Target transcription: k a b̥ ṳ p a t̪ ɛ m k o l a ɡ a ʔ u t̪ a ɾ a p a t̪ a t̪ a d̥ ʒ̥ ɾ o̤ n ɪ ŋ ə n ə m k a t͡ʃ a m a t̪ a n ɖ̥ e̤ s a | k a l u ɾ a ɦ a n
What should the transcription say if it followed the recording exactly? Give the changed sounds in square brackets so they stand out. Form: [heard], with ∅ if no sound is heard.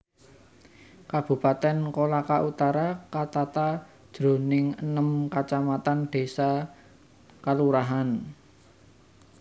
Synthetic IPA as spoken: k a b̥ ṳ p a t̪ ɛ [n] k o l a [k] a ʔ u t̪ a ɾ a [k] a t̪ a t̪ a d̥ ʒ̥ ɾ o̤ n ɪ ŋ ə n ə m k a t͡ʃ a m a t̪ a n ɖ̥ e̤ s a | k a l u ɾ a ɦ a n